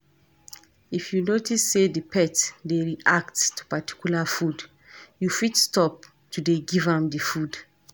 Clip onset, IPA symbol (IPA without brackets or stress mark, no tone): i